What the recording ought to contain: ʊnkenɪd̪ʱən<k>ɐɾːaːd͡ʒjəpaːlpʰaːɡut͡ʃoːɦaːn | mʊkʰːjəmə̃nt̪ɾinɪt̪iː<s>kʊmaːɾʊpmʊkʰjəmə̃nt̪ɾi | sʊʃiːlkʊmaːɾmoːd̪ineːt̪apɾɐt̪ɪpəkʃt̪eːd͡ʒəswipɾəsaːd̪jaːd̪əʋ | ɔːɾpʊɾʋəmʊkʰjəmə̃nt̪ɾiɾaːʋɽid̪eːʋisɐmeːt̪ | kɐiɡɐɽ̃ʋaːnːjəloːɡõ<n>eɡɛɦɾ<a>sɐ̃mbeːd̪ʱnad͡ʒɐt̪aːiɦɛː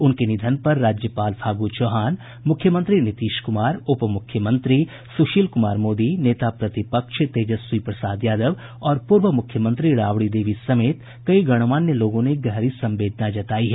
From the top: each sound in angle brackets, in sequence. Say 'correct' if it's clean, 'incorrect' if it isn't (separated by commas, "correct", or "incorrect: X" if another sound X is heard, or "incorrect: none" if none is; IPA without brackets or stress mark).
incorrect: p, incorrect: ʃ, correct, incorrect: i